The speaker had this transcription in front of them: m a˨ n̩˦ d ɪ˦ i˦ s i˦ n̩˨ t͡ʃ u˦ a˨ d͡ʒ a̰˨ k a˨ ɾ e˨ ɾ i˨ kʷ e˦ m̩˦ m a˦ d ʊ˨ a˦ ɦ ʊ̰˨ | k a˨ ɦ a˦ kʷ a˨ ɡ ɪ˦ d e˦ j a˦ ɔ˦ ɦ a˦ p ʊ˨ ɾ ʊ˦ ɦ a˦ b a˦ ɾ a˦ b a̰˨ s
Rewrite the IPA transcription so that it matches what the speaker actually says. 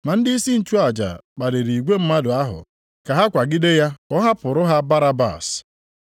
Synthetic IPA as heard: m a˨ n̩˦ d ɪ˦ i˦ s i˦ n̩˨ t͡ʃ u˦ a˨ d͡ʒ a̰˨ k͡p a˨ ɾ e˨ ɾ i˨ ɡʷ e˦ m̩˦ m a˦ d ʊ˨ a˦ ɦ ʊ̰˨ | k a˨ ɦ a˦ kʷ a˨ ɡ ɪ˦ d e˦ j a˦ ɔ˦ ɦ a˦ p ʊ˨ ɾ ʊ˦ ɦ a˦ b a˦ ɾ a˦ b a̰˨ s